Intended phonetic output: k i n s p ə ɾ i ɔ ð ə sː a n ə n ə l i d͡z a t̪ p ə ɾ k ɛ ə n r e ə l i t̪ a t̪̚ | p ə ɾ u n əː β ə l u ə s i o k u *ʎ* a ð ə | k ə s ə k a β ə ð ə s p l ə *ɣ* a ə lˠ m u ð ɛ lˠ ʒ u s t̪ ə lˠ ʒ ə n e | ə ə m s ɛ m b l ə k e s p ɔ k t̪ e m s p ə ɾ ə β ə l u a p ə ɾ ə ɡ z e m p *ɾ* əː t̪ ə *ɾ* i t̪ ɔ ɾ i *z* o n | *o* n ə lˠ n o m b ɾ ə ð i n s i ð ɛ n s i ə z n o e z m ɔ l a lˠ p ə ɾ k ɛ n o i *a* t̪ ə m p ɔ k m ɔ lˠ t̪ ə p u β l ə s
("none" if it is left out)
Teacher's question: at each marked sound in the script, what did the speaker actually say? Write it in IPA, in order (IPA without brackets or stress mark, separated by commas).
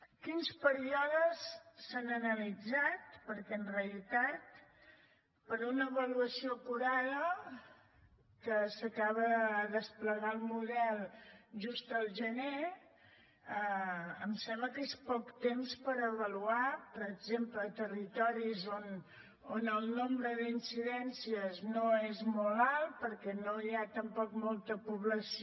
ɾ, ɣ, l, r, z, o, a